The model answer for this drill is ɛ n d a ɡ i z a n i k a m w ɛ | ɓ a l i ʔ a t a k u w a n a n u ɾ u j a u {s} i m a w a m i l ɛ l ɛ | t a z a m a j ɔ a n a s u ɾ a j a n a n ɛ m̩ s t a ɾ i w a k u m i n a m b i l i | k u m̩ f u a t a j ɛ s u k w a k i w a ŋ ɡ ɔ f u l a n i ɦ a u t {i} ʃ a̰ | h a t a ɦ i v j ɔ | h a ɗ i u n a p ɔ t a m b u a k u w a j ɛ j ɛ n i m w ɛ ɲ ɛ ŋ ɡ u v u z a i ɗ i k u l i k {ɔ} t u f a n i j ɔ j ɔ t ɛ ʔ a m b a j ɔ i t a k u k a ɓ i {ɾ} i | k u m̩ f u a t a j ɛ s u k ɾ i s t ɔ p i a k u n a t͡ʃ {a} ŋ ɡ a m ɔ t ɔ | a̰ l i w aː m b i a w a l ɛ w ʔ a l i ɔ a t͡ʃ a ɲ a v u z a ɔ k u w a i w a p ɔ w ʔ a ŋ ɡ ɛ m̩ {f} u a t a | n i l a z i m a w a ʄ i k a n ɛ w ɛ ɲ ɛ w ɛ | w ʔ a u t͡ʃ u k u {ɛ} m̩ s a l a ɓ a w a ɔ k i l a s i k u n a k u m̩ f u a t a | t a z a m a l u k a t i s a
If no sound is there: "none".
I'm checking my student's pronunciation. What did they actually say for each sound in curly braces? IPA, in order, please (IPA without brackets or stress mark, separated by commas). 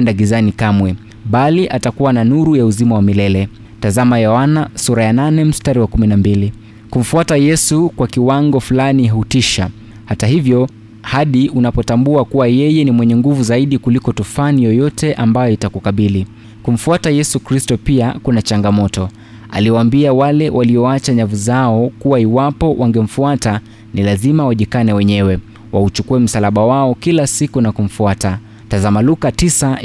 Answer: z, i, ɔ, l, a, f, ɛ